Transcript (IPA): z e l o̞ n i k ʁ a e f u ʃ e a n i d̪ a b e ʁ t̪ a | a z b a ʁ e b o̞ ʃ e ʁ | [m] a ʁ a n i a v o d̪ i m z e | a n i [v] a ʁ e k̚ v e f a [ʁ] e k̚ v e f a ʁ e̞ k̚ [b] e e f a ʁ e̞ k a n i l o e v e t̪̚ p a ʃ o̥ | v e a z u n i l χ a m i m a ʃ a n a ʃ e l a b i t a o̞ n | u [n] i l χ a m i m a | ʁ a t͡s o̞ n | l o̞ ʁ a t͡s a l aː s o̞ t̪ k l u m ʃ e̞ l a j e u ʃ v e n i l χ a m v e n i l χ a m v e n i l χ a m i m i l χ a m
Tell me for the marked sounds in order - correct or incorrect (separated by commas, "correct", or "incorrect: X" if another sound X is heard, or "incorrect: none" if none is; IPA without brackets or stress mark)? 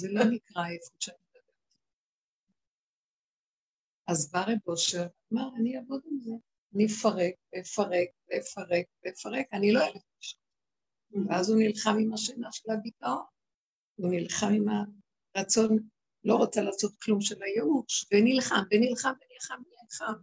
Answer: correct, incorrect: f, correct, incorrect: v, correct